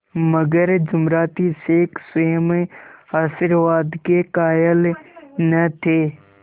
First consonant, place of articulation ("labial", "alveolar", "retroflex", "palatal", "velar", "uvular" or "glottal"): labial